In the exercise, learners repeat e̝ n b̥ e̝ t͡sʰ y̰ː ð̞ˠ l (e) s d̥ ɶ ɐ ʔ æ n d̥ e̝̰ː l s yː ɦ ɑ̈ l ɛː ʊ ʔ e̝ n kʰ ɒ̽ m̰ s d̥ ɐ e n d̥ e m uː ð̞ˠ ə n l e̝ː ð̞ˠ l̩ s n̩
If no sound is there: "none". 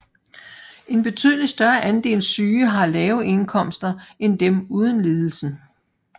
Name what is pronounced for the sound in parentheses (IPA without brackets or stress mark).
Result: i